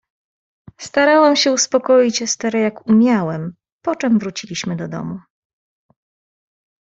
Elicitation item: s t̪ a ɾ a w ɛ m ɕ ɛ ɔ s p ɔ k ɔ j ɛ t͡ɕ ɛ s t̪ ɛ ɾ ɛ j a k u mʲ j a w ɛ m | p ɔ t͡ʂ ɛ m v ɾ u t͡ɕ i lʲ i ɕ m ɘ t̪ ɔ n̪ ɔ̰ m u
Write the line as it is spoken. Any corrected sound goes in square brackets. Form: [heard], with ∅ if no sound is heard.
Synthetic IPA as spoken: s t̪ a ɾ a w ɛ m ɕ ɛ [u] s p ɔ k ɔ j [i] t͡ɕ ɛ s t̪ ɛ ɾ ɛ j a k u mʲ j a w ɛ m | p ɔ t͡ʂ ɛ m v ɾ u t͡ɕ i lʲ i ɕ m ɘ [d̪] ɔ [d̪] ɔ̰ m u